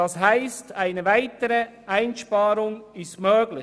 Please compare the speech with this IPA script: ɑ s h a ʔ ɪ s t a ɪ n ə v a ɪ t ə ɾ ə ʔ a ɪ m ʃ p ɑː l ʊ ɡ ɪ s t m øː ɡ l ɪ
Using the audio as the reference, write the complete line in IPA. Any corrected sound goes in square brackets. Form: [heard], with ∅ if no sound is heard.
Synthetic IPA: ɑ s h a [∅] ɪ s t a ɪ n ə v a ɪ t ə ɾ ə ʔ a ɪ [n] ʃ p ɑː [ɾ] ʊ [ŋ] ɪ s t m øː ɡ l ɪ